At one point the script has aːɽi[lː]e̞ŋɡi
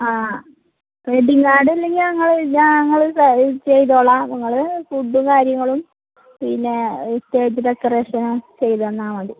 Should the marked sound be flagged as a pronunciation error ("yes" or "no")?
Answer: no